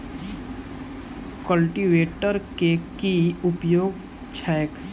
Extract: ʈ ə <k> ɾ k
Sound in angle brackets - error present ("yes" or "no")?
yes